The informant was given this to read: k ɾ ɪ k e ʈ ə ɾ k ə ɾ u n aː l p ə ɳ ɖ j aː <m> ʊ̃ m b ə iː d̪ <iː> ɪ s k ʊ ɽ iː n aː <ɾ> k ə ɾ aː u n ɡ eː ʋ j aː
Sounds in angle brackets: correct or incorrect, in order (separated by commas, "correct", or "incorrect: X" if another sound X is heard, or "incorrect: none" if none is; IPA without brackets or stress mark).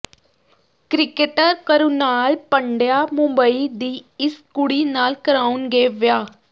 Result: correct, correct, incorrect: l